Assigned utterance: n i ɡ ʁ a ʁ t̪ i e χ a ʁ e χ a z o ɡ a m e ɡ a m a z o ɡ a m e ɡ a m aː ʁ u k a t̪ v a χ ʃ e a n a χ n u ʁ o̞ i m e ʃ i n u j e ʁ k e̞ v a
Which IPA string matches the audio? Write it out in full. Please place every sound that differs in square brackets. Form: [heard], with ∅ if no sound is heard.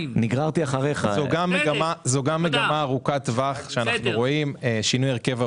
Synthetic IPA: n i ɡ ʁ a ʁ t̪ i [a] χ a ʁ e χ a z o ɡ a m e ɡ a m a z o ɡ a m e ɡ a m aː ʁ u k a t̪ v a χ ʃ e a n a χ n u ʁ o̞ i m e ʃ i n u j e ʁ k e̞ v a